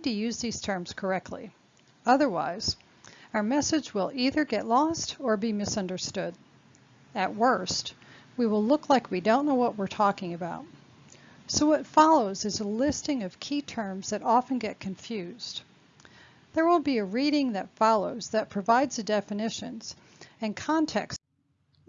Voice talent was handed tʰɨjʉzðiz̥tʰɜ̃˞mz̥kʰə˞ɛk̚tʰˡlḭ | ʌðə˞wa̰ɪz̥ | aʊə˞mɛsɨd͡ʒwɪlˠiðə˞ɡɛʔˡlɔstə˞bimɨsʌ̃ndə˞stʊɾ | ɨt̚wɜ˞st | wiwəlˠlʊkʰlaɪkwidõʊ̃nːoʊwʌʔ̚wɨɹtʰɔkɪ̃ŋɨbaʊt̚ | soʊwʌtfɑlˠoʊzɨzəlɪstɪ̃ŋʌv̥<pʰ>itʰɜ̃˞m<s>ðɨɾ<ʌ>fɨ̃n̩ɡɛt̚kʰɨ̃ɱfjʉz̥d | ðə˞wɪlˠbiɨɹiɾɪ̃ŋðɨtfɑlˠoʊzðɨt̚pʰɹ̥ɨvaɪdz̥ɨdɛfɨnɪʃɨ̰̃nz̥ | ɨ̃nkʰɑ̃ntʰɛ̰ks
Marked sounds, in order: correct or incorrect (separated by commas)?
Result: incorrect, incorrect, incorrect